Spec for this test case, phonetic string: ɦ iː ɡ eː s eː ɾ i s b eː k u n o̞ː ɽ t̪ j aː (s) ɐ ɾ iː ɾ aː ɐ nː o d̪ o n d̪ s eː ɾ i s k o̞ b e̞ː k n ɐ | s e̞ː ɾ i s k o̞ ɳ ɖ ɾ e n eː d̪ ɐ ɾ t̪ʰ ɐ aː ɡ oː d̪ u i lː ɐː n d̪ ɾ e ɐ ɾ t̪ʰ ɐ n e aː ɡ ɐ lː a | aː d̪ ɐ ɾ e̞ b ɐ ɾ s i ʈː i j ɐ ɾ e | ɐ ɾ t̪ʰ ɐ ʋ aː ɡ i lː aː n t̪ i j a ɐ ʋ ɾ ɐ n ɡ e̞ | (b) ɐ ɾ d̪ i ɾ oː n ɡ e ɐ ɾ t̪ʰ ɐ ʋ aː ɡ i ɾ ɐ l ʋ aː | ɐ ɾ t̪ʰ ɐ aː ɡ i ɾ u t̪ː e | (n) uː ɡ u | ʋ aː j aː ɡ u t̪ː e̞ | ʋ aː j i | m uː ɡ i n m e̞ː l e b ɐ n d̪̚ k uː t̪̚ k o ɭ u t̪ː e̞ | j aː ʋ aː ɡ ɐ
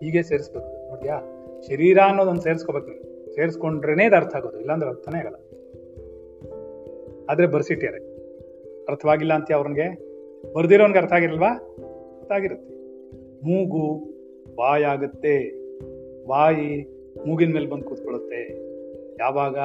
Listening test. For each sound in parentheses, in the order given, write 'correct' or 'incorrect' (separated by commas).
incorrect, correct, incorrect